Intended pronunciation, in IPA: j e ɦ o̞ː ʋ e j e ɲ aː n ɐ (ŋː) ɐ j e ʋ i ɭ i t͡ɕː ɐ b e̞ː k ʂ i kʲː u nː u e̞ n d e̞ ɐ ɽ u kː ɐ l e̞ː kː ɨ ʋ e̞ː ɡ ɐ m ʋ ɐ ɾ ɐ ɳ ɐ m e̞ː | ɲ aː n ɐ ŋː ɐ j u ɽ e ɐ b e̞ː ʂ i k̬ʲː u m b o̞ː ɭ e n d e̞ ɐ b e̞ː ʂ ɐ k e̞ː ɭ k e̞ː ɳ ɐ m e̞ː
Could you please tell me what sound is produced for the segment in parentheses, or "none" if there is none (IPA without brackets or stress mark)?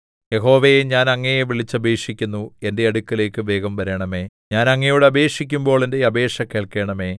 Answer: ŋː